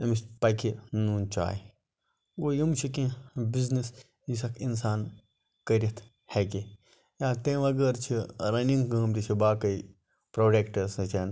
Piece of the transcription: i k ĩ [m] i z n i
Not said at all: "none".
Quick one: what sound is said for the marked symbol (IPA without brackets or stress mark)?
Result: b